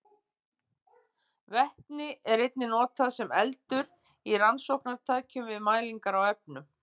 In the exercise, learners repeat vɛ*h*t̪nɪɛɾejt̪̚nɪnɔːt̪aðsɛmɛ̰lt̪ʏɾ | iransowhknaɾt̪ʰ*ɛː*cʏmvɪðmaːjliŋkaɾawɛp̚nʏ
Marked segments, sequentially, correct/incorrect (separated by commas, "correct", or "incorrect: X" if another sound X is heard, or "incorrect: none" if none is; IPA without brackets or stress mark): correct, incorrect: aː